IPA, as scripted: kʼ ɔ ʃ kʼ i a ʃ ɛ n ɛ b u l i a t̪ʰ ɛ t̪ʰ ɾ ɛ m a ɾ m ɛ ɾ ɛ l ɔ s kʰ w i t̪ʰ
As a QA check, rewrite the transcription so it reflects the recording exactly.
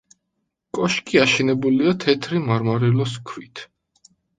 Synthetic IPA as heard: kʼ ɔ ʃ kʼ i a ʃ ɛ n ɛ b u l i a t̪ʰ ɛ t̪ʰ ɾ i m a ɾ m a ɾ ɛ l ɔ s kʰ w i t̪ʰ

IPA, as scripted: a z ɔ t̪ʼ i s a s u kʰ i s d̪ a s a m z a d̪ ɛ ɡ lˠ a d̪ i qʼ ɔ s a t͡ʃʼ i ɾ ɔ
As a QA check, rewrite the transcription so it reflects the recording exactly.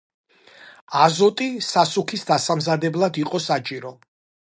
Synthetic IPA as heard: a z ɔ t̪ʼ i s a s u kʰ i s d̪ a s a m z a d̪ ɛ b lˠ a d̪ i qʼ ɔ s a t͡ʃʼ i ɾ ɔ

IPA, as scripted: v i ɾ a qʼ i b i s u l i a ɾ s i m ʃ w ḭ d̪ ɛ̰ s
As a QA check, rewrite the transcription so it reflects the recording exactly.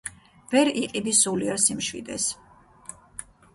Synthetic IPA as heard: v ɛ ɾ i qʼ i b i s u l i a ɾ s i m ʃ w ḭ d̪ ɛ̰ s

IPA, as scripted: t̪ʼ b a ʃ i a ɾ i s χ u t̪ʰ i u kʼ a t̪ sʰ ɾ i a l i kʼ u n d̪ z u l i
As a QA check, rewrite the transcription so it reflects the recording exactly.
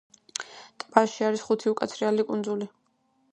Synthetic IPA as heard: t̪ʼ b a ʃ i a ɾ i s χ u t̪ʰ i u kʼ a t̪ sʰ ɾ i a l i kʼ u n d̪ z u l i

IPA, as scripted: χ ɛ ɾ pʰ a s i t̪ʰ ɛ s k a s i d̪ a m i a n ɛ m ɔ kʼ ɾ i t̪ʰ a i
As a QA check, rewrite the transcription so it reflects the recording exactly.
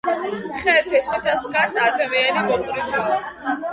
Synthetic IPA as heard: χ ɛ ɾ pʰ ɛ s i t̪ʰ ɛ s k a s a d̪ a m i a n i m ɔ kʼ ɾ i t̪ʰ a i

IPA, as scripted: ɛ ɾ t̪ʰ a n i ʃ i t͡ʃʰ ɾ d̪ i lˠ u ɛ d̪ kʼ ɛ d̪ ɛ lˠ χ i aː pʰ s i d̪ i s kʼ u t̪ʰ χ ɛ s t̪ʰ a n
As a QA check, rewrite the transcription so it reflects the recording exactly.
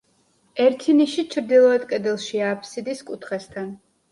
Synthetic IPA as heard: ɛ ɾ t̪ʰ i n i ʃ i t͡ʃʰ ɾ d̪ i lˠ ɔ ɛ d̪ kʼ ɛ d̪ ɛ lˠ ʃ i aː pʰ s i d̪ i s kʼ u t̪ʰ χ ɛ s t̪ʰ a n

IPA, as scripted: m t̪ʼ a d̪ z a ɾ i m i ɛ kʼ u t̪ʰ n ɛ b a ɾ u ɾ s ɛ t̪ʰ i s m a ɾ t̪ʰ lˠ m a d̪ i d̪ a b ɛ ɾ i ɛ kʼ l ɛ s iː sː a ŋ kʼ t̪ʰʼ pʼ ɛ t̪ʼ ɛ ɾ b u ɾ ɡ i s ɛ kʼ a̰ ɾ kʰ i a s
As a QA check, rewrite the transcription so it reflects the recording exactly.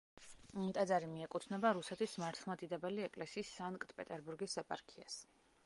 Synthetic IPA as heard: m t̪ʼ a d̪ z a ɾ i m i ɛ kʼ u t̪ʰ n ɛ b a ɾ u s ɛ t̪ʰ i s m a ɾ t̪ʰ lˠ m a d̪ i d̪ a b ɛ l i ɛ kʼ l ɛ s iː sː a ŋ kʼ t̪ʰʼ pʼ ɛ t̪ʼ ɛ ɾ b u ɾ ɡ i s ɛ pʼ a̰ ɾ kʰ i a s

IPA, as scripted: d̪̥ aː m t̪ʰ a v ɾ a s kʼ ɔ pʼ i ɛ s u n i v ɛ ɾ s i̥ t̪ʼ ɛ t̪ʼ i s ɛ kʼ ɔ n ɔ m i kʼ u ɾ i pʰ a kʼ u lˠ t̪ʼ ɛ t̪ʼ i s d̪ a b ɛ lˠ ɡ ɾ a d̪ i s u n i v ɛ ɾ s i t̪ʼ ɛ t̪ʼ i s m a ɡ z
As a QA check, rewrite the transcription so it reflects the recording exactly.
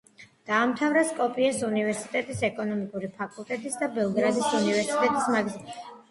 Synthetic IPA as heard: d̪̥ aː m t̪ʰ a v ɾ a s kʼ ɔ pʼ i ɛ s u n i v ɛ ɾ s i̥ t̪ʼ ɛ t̪ʼ i s ɛ kʼ ɔ n ɔ m i kʼ u ɾ i pʰ a kʼ u lˠ t̪ʼ ɛ t̪ʼ i s d̪ a b ɛ lˠ ɡ ɾ a d̪ i s u n i v ɛ ɾ s i t̪ʼ ɛ t̪ʼ i s m a ɡ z

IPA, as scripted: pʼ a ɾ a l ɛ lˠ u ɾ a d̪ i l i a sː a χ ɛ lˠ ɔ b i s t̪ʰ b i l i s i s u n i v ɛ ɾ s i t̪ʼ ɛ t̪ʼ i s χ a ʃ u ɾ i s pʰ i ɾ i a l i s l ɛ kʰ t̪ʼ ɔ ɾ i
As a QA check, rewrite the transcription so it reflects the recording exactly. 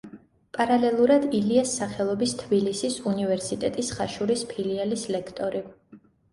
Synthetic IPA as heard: pʼ a ɾ a l ɛ lˠ u ɾ a d̪ i l i a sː a χ ɛ lˠ ɔ b i s t̪ʰ b i l i s i s u n i v ɛ ɾ s i t̪ʼ ɛ t̪ʼ i s χ a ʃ u ɾ i s pʰ i l i a l i s l ɛ kʰ t̪ʼ ɔ ɾ i

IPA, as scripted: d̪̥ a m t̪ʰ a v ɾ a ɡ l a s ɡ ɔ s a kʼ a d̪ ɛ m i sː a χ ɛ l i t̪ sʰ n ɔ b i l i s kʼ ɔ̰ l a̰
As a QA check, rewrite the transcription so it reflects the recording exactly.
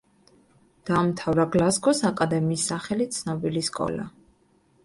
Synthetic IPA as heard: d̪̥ a m t̪ʰ a v ɾ a ɡ l a s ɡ ɔ s a kʼ a d̪ ɛ m iː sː a χ ɛ l i t̪ sʰ n ɔ b i l i s kʼ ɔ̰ l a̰

